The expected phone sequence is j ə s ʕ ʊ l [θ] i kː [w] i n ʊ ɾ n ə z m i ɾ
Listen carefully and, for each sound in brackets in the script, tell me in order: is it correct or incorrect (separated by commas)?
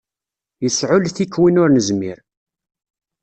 correct, correct